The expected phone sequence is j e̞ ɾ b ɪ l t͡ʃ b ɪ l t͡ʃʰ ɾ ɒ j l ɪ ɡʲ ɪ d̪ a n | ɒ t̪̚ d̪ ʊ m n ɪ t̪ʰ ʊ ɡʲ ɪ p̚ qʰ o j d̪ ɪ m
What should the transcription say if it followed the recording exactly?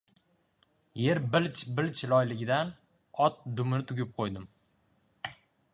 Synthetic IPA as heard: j e̞ ɾ b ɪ l t͡ʃ b ɪ l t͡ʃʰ l ɒ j l ɪ ɡʲ ɪ d̪ a n | ɒ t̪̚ d̪ ʊ m n ɪ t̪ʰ ʊ ɡʲ ɪ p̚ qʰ o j d̪ ɪ m